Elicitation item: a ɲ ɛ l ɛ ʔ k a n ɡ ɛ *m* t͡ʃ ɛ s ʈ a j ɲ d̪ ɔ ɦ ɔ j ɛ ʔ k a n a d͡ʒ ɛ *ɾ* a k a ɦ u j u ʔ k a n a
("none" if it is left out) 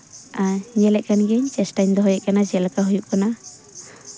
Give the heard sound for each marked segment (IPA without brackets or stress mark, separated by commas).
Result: ɲ, l